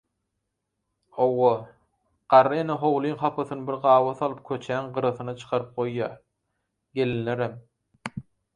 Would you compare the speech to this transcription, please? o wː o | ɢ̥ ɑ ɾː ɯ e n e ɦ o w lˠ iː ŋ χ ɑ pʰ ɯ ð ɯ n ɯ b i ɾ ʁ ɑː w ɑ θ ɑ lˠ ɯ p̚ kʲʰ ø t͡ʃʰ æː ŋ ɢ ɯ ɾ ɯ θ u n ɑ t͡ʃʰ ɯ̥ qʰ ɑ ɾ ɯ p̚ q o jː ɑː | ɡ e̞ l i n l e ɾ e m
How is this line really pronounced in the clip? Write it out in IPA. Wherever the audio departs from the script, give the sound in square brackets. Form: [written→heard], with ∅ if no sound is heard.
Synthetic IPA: o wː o | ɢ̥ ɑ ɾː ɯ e n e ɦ o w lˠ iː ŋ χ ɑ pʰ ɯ [ð→θ] ɯ n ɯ b i ɾ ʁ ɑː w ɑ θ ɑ lˠ ɯ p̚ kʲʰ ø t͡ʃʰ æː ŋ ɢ ɯ ɾ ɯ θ [u→ɯ] n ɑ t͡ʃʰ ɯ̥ qʰ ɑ ɾ ɯ p̚ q o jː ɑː | ɡ e̞ l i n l e ɾ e m